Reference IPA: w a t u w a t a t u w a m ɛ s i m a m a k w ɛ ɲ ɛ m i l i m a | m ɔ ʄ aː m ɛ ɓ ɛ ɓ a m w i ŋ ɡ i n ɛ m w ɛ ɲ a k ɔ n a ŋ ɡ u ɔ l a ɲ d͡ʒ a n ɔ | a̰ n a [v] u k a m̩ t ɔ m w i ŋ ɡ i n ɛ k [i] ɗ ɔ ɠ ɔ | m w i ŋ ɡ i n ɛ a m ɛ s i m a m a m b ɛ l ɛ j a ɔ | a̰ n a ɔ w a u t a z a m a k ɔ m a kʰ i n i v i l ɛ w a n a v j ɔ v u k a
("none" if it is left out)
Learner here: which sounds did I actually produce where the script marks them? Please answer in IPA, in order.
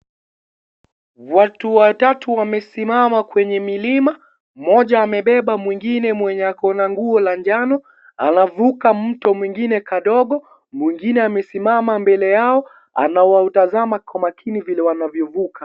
v, a

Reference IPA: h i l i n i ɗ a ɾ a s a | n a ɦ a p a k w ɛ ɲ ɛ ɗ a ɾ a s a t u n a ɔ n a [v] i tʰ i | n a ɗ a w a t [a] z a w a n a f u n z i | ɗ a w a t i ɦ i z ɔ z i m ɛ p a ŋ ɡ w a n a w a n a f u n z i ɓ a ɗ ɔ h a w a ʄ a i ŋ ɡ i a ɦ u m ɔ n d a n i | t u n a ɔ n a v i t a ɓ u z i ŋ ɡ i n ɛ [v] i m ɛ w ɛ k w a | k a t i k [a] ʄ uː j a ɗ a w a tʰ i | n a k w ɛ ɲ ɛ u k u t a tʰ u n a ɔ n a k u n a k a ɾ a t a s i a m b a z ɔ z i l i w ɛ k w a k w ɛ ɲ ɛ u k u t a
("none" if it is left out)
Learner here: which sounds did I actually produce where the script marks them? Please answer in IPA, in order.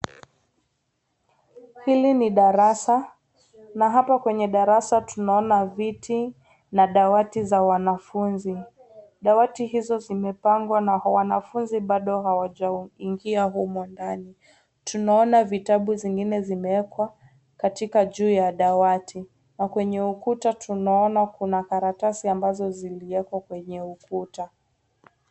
v, i, z, a

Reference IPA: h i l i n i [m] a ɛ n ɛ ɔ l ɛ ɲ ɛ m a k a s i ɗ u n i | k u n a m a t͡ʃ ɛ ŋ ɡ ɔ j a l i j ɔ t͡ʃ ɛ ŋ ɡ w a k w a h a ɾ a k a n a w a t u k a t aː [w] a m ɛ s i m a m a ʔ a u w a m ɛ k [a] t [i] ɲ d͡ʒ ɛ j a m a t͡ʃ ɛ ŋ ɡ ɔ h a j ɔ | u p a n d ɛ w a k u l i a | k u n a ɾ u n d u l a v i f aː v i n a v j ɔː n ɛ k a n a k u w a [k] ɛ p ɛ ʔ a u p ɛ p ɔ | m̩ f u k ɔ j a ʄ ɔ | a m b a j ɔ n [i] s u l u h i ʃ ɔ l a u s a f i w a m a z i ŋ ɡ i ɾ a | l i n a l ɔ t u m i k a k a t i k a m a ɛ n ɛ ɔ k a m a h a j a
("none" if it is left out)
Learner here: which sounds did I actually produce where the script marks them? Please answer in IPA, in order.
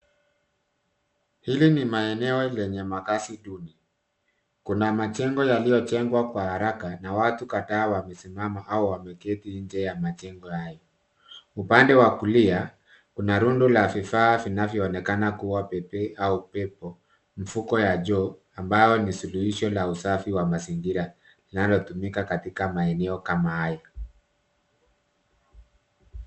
m, w, ɛ, i, p, i

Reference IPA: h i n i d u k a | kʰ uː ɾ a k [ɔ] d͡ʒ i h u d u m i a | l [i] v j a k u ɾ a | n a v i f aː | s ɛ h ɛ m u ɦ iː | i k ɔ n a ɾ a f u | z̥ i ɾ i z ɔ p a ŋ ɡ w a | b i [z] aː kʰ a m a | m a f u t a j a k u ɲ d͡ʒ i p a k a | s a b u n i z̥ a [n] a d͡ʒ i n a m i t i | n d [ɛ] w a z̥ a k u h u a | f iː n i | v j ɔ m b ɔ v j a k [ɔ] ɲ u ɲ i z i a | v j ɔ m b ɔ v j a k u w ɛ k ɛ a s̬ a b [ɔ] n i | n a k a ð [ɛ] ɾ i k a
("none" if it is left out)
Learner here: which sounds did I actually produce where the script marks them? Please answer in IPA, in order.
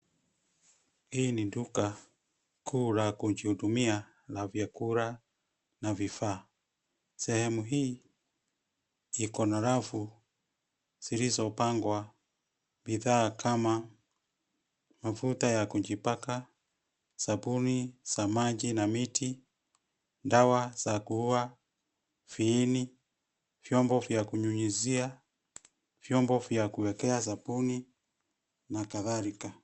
u, a, ð, m, a, u, u, a

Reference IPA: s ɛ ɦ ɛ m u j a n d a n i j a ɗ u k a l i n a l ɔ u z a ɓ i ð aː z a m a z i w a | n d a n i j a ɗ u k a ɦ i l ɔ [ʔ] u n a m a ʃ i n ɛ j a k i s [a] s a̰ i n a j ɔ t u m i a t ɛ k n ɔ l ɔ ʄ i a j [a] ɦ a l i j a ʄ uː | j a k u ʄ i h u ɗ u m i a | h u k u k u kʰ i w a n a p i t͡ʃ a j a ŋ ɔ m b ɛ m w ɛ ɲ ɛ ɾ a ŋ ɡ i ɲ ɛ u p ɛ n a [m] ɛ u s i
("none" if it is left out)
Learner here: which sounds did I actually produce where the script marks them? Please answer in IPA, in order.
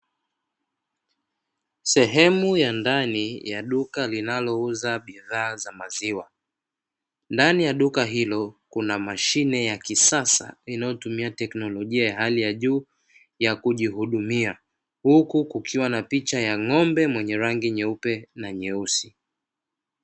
k, a, a, ɲ

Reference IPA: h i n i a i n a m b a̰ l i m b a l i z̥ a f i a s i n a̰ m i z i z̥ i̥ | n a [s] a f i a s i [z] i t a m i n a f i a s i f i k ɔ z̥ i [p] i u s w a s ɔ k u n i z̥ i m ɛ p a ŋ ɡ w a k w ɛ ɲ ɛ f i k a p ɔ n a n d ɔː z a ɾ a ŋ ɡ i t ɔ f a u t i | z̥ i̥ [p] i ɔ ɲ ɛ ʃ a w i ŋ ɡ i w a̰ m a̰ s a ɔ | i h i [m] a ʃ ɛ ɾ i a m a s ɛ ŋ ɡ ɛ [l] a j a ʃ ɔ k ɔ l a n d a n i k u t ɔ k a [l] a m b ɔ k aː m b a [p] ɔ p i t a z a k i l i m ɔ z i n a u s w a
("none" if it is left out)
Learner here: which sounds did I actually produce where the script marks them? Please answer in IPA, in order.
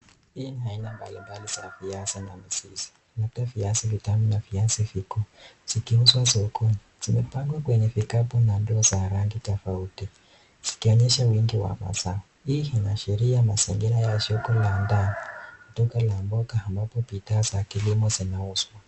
t, v, k, k, n, ɾ, l, p

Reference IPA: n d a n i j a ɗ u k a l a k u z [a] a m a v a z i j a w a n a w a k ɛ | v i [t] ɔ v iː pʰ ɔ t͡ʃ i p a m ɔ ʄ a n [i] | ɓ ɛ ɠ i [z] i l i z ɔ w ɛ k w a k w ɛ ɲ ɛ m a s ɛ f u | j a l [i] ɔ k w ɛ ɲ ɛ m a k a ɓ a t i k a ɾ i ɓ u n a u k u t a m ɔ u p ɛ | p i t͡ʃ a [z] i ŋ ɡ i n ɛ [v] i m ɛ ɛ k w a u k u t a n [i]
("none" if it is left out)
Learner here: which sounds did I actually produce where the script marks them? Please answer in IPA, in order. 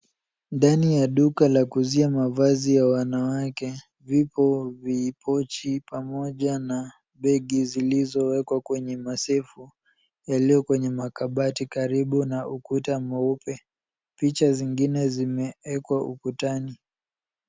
i, p, a, z, i, z, z, i

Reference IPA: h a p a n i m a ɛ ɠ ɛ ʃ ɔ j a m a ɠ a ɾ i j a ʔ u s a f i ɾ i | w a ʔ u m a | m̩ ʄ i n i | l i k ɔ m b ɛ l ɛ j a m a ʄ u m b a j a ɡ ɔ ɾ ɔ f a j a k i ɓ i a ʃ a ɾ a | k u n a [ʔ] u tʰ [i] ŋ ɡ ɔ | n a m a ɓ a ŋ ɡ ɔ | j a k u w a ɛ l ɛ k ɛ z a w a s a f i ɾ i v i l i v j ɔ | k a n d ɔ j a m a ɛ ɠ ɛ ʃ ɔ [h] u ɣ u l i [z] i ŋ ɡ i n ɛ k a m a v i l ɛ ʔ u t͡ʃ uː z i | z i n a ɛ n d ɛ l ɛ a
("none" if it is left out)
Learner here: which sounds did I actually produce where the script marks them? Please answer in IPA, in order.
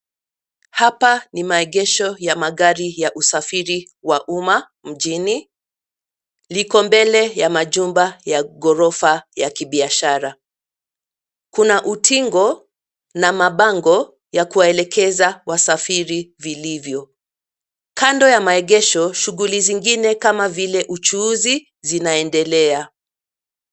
ʔ, i, ʃ, z

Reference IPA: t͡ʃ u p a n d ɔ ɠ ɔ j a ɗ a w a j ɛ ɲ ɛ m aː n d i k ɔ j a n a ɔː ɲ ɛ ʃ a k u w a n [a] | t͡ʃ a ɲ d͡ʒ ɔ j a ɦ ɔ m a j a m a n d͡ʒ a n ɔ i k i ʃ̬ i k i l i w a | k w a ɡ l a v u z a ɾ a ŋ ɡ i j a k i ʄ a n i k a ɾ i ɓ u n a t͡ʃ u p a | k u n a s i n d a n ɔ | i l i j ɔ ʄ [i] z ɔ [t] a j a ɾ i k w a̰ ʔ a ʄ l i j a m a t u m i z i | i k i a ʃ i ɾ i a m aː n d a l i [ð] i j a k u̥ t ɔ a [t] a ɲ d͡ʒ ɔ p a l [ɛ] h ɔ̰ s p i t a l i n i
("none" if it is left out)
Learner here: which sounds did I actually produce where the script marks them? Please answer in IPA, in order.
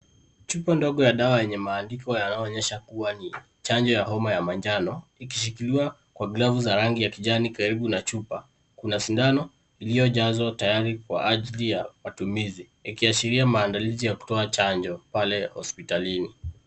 i, a, t, z, t͡ʃ, ɛ

